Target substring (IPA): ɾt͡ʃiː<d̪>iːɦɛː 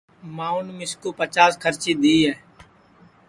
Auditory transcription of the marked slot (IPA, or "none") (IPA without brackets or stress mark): d̪